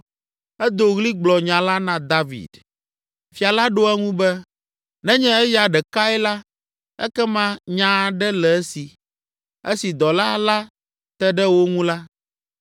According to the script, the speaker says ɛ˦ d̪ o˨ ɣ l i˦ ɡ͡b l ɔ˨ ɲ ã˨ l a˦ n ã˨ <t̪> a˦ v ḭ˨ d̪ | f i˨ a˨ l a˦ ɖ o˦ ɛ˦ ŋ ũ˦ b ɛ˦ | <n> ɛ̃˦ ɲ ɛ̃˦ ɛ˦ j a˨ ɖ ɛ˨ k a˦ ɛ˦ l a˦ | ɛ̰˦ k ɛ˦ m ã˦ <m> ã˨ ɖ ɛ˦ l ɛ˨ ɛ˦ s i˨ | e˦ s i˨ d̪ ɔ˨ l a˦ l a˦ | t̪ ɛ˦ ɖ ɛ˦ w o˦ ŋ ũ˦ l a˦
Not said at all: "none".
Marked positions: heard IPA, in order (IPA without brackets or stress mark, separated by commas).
d̪, n, ɲ